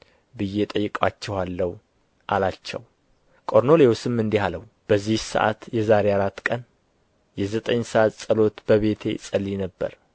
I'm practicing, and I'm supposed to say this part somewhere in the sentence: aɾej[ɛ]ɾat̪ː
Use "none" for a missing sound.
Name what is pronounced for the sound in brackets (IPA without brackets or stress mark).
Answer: a